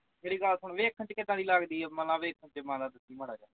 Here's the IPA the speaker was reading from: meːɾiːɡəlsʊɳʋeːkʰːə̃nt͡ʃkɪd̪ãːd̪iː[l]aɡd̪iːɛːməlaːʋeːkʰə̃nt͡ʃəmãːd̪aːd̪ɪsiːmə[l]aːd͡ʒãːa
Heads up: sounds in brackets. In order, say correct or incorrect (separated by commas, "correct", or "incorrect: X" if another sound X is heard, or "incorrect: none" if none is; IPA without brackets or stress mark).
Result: correct, incorrect: ɽ